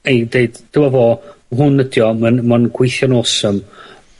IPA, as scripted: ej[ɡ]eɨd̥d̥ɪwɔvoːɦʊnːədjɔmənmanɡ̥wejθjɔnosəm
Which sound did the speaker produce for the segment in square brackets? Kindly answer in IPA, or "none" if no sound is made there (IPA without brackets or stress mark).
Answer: d